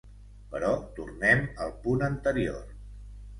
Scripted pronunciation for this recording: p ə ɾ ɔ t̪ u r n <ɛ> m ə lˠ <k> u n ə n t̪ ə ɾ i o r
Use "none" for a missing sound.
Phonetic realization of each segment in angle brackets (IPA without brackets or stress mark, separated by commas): ɛ, p